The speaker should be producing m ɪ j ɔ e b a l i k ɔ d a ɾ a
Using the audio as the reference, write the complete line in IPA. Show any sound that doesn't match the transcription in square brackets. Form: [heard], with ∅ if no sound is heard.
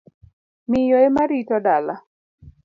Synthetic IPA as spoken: m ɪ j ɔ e [m] a [ɾ] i [t] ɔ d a [l] a